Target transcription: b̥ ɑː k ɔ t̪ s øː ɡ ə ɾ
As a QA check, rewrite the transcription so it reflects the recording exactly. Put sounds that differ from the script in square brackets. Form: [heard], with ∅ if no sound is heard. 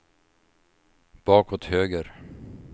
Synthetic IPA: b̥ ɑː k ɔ t̪ [h] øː ɡ ə ɾ